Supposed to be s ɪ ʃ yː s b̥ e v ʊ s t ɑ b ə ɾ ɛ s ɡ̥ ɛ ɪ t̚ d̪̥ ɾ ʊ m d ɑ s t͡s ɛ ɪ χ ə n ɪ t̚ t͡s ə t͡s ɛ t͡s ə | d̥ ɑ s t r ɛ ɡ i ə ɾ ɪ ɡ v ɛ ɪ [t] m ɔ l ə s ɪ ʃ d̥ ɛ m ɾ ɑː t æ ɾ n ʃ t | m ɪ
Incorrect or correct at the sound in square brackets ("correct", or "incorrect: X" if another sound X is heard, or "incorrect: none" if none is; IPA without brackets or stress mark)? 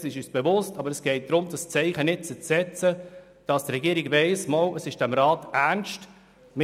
incorrect: s